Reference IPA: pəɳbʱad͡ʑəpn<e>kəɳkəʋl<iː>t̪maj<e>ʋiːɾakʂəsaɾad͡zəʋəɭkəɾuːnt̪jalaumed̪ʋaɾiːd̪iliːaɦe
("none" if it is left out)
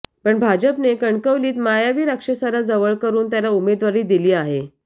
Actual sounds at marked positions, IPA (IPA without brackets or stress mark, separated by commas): e, iː, a